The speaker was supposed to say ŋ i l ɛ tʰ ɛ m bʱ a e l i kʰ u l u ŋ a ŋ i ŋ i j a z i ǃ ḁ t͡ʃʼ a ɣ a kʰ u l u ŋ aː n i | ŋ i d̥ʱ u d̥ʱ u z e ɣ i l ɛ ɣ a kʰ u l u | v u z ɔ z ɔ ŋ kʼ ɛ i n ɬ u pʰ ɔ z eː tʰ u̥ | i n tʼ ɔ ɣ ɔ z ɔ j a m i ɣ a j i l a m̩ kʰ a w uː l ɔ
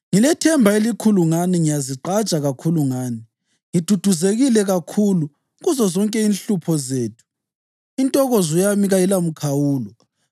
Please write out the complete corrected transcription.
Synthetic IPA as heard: ŋ i l ɛ tʰ ɛ m bʱ a e l i kʰ u l u ŋ a n i ŋ i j a z i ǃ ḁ t͡ʃʼ a ɣ a kʰ u l u ŋ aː n i | ŋ i d̥ʱ u d̥ʱ u z e ɣ i l ɛ ɣ a kʰ u l u | ɣ u z ɔ z ɔ ŋ kʼ ɛ i n ɬ u pʰ ɔ z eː tʰ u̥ | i n tʼ ɔ ɣ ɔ z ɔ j a m i ɣ a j i l a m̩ kʰ a w uː l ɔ